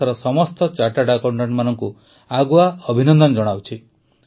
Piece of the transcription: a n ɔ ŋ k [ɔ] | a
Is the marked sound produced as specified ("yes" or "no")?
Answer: no